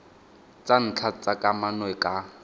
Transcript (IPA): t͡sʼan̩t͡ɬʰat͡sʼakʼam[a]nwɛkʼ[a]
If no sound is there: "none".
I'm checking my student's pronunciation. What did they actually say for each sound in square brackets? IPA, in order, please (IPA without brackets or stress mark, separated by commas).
a, a